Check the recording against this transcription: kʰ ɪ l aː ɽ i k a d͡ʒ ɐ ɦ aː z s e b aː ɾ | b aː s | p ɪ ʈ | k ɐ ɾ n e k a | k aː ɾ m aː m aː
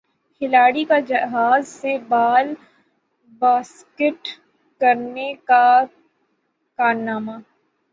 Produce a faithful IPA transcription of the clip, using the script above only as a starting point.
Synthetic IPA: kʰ ɪ l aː ɽ i k a d͡ʒ ɐ ɦ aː z s e b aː l | b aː s | k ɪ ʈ | k ɐ ɾ n e k a | k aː ɾ n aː m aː